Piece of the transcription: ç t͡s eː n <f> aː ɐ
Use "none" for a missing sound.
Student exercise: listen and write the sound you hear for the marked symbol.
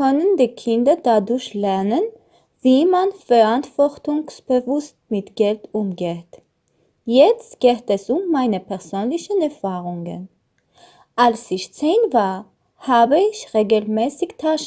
v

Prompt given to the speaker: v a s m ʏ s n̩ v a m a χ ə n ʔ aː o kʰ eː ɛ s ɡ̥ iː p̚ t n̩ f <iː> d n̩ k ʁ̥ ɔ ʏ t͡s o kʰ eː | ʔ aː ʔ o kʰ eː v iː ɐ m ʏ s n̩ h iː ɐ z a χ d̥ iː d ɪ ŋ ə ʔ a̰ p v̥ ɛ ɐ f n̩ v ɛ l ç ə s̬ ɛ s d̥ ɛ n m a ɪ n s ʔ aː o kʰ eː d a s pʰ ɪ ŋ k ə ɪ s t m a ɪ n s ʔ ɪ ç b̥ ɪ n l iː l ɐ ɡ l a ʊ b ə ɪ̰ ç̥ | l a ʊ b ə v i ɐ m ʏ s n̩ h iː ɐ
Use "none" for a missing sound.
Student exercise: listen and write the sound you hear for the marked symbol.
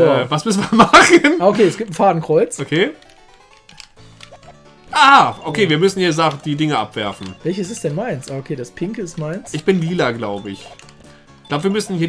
aː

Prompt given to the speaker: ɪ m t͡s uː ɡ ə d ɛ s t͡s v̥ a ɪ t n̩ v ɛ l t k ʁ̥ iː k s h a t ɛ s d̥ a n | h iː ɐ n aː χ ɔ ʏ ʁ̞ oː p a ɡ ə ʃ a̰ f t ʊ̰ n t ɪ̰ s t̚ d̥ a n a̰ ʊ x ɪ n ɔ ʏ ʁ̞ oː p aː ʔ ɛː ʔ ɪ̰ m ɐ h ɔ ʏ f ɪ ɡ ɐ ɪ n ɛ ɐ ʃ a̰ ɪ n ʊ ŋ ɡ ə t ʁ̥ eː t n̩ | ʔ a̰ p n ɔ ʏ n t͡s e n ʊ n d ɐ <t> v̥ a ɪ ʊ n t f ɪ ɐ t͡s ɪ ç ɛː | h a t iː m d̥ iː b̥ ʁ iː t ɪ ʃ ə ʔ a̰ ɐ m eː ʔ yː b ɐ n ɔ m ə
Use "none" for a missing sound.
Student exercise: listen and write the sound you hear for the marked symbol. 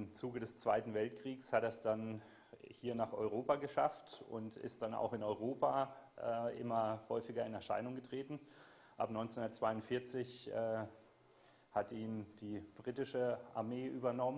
t͡s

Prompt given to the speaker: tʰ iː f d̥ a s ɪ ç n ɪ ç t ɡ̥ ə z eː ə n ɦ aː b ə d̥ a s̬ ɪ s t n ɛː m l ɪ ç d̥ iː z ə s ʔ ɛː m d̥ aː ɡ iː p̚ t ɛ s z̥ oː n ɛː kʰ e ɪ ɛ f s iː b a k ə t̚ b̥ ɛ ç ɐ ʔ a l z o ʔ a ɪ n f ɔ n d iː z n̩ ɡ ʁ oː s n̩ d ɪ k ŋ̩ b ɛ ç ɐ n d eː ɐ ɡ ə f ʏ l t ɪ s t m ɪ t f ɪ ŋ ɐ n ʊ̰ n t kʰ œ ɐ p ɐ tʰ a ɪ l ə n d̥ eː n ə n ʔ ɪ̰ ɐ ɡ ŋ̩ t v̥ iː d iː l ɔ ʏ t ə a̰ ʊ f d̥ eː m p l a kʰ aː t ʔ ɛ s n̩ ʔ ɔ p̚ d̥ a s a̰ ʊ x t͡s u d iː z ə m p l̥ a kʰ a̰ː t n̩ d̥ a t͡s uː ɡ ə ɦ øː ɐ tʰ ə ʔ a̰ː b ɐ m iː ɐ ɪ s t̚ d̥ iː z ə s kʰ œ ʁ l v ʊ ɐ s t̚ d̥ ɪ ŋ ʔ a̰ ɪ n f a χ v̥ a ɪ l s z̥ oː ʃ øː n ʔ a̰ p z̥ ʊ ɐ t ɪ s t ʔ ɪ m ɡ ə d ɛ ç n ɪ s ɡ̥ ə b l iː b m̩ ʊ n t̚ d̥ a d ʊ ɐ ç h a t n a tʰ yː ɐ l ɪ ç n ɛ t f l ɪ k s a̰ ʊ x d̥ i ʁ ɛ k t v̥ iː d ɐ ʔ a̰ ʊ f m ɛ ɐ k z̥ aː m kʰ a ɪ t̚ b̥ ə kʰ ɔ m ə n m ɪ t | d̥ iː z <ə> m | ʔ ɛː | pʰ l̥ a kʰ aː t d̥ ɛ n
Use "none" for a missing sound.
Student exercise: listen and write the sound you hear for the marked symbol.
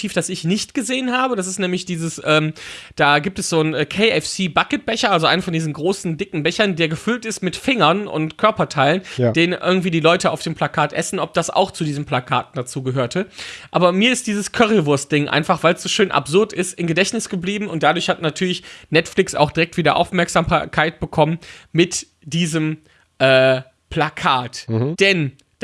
ə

